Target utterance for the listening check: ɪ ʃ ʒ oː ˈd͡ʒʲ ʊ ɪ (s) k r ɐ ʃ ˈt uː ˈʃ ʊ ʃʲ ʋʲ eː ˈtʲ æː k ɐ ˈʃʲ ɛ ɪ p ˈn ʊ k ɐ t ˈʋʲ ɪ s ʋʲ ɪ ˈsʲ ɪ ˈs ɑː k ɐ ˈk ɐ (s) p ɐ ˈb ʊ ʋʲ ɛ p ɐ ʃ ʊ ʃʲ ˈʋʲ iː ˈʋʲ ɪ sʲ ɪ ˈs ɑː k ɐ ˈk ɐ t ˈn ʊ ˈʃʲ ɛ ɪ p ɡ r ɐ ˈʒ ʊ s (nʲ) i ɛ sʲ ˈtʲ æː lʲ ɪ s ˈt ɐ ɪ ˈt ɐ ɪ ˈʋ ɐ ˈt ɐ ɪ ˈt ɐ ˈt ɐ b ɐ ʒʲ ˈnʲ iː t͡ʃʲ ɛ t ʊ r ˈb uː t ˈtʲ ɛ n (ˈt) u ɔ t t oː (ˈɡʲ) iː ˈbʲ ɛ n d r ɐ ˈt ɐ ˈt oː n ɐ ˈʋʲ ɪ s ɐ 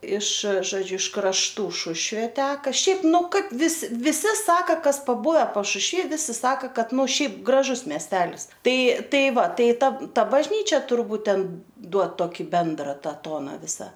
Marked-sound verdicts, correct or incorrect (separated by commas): incorrect, correct, incorrect, incorrect, incorrect